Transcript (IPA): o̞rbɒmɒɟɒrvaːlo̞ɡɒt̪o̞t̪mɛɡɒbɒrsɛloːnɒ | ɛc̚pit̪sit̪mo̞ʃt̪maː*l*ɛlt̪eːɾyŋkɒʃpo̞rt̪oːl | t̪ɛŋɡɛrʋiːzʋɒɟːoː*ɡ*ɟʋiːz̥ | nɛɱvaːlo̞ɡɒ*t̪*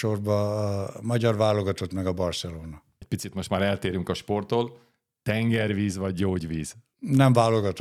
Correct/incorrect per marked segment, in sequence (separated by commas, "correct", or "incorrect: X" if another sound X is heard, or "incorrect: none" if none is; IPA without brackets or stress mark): incorrect: ɾ, incorrect: none, correct